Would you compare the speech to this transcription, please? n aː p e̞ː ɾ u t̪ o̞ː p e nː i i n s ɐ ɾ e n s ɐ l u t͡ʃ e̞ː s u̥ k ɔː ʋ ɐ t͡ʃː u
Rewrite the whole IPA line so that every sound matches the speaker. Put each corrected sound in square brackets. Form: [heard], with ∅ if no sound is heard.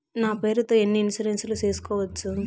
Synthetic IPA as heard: n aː p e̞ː ɾ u t̪ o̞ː [∅] e nː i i n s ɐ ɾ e n s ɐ l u t͡ʃ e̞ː s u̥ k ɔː ʋ ɐ t͡ʃː u